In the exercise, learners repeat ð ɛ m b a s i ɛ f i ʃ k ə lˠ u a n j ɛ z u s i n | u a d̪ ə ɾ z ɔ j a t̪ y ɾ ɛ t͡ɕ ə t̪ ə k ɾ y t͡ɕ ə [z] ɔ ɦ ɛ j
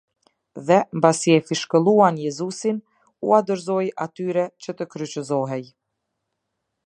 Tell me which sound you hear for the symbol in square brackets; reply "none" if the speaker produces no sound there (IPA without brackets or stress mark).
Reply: z